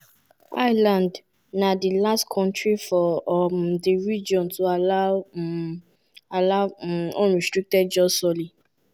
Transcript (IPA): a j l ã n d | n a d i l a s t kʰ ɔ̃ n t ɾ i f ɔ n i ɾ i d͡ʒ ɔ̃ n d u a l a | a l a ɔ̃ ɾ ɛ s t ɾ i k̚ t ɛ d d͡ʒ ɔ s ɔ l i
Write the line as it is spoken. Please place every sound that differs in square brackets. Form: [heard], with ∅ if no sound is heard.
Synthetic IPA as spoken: a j l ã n d | n a d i l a s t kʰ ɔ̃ n t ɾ i f ɔ [d] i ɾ i d͡ʒ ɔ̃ n [t] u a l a | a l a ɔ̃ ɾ [i] s t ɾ i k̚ t ɛ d d͡ʒ ɔ s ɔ l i